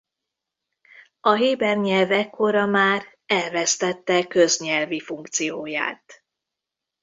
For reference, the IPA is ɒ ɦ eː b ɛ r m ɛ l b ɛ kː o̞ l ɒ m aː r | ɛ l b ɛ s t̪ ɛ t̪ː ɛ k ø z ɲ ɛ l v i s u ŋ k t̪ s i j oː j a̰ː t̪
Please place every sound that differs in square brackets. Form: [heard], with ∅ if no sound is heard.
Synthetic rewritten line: ɒ ɦ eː b ɛ r [ɲ] ɛ l [v] ɛ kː o̞ [ɾ] ɒ m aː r | ɛ l [v] ɛ s t̪ ɛ t̪ː ɛ k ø z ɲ ɛ l v i [f] u ŋ k t̪ s i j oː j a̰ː t̪

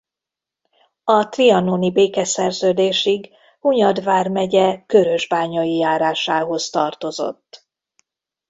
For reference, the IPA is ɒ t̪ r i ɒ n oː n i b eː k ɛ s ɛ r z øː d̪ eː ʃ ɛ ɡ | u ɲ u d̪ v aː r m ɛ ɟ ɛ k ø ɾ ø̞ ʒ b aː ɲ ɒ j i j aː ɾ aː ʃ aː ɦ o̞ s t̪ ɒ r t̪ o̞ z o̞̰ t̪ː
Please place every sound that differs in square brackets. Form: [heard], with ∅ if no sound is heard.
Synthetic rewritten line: ɒ t̪ r i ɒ n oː n i b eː k ɛ s ɛ r z øː d̪ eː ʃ [i] ɡ | u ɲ [ɒ] d̪ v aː r m ɛ ɟ ɛ k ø ɾ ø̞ ʒ b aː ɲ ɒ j i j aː ɾ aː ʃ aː ɦ o̞ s t̪ ɒ r t̪ o̞ z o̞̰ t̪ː

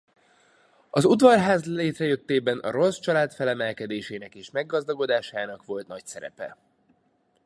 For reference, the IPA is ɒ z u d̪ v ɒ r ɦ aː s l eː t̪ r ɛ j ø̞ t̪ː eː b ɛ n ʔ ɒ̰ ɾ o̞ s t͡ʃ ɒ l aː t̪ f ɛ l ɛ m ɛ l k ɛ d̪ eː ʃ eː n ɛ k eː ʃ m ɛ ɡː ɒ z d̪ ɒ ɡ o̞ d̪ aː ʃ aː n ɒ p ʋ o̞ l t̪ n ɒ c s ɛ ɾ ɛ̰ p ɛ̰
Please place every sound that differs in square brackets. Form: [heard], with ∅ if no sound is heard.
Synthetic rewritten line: ɒ z u d̪ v ɒ r ɦ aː [z] l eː t̪ r ɛ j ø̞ t̪ː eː b ɛ n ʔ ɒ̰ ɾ o̞ s t͡ʃ ɒ l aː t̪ f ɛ l ɛ m ɛ l k ɛ d̪ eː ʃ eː n ɛ k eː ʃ m ɛ ɡː ɒ z d̪ ɒ ɡ o̞ d̪ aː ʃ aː n ɒ [k] ʋ o̞ l t̪ n ɒ c s ɛ ɾ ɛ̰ p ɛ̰

